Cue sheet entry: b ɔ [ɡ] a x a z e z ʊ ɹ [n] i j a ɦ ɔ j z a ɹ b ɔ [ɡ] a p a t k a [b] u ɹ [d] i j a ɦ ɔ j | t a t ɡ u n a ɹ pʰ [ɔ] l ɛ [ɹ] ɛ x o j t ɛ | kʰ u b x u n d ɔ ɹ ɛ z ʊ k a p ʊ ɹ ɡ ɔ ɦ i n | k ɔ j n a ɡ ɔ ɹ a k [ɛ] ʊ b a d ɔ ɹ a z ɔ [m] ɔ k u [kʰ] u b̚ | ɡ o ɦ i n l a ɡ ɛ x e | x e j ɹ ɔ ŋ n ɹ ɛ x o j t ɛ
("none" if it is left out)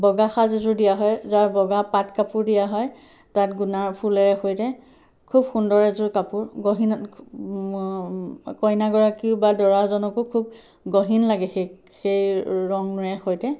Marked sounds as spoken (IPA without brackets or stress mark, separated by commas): ɡ, d, ɡ, p, d, u, ɹ, i, n, kʰ